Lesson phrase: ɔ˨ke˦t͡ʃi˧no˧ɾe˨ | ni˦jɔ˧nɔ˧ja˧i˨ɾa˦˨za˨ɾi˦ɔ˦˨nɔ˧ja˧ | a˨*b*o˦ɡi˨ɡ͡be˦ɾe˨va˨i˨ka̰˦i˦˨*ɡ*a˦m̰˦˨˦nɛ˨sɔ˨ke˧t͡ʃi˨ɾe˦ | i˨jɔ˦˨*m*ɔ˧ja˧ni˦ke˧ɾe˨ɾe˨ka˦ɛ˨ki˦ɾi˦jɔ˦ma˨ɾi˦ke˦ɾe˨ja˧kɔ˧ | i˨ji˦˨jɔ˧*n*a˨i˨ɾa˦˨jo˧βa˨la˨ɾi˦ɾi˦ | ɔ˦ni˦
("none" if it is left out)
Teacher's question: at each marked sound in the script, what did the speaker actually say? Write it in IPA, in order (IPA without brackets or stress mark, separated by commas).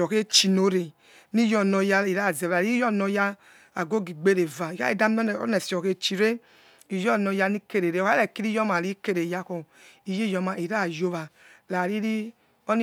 ɡ, d, n, m